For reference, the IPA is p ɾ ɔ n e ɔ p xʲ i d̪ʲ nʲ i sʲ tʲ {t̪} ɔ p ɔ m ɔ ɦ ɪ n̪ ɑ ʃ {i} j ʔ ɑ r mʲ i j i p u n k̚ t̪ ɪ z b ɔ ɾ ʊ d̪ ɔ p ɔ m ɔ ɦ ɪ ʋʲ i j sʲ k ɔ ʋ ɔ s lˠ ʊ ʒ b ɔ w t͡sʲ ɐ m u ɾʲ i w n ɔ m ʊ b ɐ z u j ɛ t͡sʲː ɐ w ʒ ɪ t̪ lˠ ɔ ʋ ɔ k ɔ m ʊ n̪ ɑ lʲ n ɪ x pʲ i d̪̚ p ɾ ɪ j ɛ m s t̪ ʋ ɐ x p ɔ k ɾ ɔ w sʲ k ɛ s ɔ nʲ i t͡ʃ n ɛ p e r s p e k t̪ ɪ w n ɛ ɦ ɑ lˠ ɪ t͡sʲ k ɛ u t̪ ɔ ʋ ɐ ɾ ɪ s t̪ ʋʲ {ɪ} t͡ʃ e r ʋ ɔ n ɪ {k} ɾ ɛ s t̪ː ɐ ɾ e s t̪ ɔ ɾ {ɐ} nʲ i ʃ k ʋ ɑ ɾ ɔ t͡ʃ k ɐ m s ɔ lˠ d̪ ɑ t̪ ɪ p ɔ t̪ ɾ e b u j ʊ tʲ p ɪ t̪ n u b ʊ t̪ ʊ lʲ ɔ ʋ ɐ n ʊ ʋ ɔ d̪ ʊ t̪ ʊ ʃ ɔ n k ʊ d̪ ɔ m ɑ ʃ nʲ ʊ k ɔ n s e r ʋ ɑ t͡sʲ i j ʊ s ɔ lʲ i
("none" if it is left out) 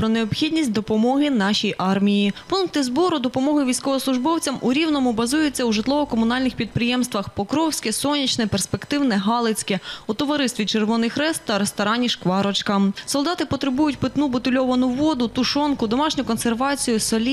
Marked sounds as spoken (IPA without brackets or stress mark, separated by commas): d̪, i, i, x, ɑ